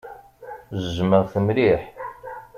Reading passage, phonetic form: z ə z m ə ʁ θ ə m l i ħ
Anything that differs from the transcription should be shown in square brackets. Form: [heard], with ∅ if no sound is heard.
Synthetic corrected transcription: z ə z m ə ʁ θ ə m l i ħ